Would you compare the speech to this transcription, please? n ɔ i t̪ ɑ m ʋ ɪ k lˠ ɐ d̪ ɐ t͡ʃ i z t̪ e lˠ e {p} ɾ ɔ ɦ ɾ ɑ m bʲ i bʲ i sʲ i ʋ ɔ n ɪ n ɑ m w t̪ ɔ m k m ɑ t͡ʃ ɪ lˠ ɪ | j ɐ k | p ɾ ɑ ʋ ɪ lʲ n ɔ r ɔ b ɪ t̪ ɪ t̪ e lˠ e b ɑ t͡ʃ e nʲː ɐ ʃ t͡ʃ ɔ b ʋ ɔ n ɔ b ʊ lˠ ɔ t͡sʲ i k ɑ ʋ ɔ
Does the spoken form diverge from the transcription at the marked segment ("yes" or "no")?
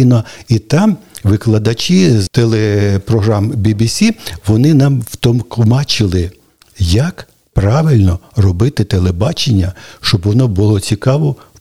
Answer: no